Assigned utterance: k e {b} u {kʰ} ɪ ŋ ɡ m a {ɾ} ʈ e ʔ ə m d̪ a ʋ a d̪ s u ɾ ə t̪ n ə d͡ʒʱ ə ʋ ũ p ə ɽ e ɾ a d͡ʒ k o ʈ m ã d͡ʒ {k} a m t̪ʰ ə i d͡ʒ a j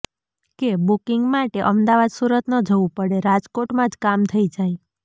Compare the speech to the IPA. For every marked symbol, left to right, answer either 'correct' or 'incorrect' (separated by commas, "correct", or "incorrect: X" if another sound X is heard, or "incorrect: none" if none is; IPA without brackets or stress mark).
correct, incorrect: k, incorrect: none, correct